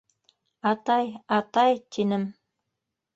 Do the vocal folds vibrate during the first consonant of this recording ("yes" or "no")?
no